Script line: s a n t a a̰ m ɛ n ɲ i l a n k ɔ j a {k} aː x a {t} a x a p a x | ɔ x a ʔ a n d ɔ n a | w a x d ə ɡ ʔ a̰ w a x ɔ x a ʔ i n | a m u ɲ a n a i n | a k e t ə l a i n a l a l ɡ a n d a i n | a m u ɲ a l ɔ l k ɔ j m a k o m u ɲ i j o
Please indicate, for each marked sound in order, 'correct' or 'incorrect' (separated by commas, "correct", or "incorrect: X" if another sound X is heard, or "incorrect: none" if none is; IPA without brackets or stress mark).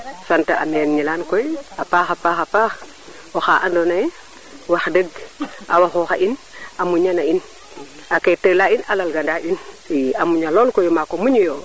incorrect: p, incorrect: p